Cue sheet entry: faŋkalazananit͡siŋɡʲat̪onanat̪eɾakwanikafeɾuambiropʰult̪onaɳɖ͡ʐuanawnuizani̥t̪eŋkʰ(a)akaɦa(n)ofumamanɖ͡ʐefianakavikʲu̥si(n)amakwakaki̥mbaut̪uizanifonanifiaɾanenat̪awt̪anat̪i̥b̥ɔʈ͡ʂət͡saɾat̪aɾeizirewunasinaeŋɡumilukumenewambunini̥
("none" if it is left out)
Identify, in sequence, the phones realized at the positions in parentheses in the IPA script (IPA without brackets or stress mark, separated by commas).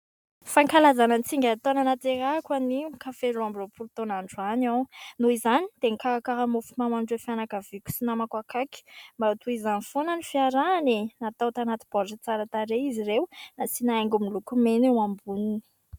a, m, n